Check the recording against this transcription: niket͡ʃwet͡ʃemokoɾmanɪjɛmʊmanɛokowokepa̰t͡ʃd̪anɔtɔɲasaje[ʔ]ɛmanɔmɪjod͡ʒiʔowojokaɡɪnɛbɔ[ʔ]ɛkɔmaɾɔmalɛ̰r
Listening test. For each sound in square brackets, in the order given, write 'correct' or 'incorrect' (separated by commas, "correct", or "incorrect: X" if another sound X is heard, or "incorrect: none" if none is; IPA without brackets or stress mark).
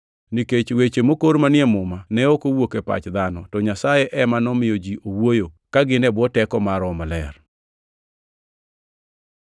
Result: correct, incorrect: t